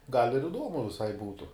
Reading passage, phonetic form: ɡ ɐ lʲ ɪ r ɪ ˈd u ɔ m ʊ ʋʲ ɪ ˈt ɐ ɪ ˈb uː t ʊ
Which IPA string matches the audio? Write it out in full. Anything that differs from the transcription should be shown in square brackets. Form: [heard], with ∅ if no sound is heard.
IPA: ɡ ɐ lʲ ɪ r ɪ ˈd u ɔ m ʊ ʋʲ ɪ [ˈs] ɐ ɪ ˈb uː t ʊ

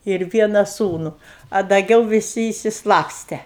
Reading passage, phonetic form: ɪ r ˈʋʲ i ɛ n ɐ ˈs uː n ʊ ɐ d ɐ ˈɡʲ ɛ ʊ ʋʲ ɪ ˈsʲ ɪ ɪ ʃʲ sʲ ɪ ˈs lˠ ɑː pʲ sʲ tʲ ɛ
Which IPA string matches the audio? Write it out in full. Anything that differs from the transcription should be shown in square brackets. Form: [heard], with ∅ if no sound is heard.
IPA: ɪ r ˈʋʲ i ɛ n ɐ ˈs uː n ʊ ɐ d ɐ ˈɡʲ ɛ ʊ ʋʲ ɪ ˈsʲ ɪ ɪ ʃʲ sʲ ɪ ˈs lˠ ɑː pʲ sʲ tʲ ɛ

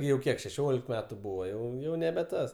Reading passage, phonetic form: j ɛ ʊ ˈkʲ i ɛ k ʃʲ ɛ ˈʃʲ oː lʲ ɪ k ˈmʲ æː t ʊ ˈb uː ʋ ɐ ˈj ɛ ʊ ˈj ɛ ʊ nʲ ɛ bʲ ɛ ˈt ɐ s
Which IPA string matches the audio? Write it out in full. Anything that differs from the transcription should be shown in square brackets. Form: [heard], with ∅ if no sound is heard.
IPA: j ɛ ʊ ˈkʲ i ɛ k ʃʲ ɛ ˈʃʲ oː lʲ ɪ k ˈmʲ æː t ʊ ˈb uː ʋ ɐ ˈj ɛ ʊ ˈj ɛ ʊ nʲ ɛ bʲ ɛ ˈt ɐ s

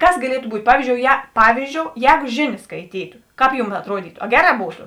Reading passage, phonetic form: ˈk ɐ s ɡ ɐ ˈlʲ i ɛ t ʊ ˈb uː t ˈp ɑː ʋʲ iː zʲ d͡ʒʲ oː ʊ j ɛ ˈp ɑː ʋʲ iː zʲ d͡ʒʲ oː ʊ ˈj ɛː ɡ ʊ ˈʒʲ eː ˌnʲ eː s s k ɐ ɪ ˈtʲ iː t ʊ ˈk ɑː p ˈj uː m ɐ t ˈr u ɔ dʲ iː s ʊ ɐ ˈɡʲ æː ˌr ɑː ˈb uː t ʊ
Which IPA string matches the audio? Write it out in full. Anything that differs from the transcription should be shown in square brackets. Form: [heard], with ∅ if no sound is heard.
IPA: ˈk ɐ s ɡ ɐ ˈlʲ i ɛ t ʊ ˈb uː t ˈp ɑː ʋʲ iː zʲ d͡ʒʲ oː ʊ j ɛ ˈp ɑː ʋʲ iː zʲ d͡ʒʲ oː ʊ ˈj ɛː ɡ ʊ ˈʒʲ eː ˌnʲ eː s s k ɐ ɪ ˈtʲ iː t ʊ ˈk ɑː p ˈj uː m ɐ t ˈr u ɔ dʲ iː [t] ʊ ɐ ˈɡʲ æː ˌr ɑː ˈb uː t ʊ

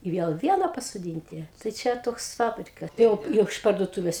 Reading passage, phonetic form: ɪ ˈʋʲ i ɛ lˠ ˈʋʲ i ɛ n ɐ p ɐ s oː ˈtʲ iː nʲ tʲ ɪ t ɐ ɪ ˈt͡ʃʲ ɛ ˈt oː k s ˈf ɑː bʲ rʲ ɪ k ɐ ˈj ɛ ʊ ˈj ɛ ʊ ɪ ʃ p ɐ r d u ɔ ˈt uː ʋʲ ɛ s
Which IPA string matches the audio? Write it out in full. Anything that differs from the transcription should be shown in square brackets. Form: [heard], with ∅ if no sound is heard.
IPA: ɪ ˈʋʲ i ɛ lˠ ˈʋʲ i ɛ n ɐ p ɐ s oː [ˈdʲ] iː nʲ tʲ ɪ t ɐ ɪ ˈt͡ʃʲ ɛ ˈt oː k s ˈf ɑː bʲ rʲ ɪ k ɐ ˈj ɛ ʊ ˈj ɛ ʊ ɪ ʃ p ɐ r d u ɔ ˈt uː ʋʲ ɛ s

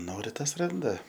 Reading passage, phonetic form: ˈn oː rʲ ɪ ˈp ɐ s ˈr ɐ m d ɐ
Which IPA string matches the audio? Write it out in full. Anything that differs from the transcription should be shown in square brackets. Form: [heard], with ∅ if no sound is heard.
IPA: ˈn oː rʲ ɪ [ˈt] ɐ s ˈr ɐ [n] d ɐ

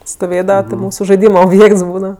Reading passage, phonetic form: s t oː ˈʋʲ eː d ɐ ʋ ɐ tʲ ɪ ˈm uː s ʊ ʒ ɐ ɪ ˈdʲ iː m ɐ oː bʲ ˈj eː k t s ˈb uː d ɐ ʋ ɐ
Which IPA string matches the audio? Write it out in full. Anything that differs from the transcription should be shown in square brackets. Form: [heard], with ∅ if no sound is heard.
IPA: s t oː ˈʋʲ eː d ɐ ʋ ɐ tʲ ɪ ˈm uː s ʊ ʒ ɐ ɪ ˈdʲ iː m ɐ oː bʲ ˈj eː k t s ˈb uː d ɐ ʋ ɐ

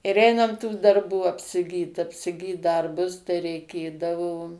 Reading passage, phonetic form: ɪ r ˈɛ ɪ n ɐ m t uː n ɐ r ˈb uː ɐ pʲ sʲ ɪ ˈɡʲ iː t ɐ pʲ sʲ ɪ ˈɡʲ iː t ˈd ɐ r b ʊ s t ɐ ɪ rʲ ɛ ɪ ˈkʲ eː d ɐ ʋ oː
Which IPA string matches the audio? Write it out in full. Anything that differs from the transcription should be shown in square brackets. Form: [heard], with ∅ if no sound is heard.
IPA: ɪ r ˈɛ ɪ n ɐ m t uː [d] ɐ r ˈb uː ɐ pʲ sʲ ɪ ˈɡʲ iː t ɐ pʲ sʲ ɪ ˈɡʲ iː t ˈd ɐ r b ʊ s t ɐ ɪ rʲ ɛ ɪ ˈkʲ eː d ɐ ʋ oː

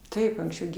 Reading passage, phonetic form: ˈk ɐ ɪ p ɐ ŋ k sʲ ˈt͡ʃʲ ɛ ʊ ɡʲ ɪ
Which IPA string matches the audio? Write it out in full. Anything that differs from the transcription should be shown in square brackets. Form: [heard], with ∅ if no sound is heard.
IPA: [ˈt] ɐ ɪ p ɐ ŋ k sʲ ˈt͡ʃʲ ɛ ʊ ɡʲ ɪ

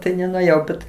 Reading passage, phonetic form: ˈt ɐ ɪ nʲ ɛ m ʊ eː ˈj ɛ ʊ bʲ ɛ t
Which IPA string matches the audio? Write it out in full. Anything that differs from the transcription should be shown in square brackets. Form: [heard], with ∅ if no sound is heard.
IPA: ˈt ɐ ɪ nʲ ɛ [n] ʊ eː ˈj ɛ ʊ bʲ ɛ t

